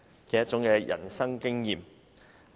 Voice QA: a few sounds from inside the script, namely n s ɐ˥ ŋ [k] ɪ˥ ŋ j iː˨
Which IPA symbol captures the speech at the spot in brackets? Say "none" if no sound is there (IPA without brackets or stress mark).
k